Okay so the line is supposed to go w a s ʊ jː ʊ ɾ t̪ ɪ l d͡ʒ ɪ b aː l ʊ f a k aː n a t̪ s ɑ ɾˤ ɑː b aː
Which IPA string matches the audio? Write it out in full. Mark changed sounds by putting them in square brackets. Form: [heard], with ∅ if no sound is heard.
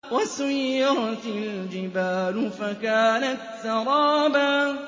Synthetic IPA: w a s ʊ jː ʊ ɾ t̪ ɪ l d͡ʒ ɪ b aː l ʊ f a k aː n a t̪ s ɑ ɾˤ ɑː b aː